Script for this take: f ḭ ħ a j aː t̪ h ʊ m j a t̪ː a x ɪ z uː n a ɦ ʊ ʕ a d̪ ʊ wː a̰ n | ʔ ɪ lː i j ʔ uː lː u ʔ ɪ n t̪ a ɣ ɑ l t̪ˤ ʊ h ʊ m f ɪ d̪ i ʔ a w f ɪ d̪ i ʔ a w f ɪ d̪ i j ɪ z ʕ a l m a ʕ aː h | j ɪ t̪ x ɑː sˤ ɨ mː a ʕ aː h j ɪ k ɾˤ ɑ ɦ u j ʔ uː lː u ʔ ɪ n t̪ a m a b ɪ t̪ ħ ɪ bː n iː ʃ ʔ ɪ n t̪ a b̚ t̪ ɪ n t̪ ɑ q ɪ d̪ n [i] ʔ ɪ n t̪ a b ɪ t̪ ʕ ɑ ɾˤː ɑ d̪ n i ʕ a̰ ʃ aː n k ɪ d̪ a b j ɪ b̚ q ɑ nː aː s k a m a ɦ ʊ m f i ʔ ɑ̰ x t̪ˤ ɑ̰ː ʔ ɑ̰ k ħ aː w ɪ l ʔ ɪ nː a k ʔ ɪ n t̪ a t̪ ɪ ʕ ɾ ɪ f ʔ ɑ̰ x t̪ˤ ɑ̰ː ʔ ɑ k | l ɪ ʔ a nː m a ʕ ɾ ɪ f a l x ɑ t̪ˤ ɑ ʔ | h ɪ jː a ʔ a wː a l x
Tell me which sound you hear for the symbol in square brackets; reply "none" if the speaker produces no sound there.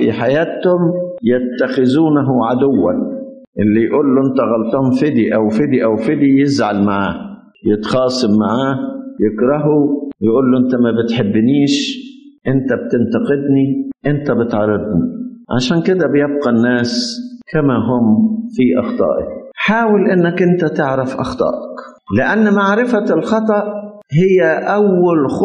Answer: i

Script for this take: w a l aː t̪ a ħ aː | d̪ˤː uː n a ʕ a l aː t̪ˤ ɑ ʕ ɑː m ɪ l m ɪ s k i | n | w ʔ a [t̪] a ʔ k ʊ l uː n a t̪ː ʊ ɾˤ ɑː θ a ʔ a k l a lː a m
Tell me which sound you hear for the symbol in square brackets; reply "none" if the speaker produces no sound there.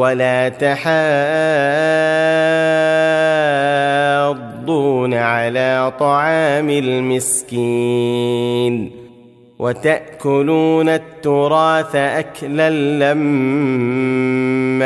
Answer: t̪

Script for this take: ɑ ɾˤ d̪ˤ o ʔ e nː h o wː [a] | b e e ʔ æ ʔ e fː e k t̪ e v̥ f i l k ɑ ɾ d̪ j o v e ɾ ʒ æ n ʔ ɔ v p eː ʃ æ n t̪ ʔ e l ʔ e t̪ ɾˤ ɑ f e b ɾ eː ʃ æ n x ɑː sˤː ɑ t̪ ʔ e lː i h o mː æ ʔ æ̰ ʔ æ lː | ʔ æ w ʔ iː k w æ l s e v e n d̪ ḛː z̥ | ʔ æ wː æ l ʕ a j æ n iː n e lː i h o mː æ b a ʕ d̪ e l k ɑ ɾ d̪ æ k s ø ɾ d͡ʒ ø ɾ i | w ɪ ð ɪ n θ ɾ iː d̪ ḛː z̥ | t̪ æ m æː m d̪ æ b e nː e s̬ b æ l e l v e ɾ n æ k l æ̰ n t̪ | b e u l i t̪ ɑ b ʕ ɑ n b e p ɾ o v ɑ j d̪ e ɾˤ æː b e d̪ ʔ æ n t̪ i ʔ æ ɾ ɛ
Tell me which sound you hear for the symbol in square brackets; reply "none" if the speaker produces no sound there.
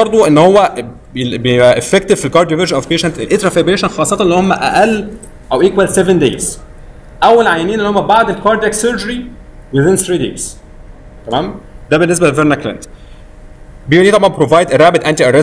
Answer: æ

